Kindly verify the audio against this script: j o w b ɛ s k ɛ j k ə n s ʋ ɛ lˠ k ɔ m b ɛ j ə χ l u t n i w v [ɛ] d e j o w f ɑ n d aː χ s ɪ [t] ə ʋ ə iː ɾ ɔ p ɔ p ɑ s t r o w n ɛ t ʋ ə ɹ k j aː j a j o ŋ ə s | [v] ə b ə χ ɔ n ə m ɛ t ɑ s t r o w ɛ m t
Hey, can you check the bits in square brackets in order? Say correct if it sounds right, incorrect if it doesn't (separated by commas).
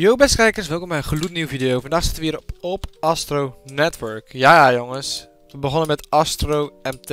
incorrect, correct, incorrect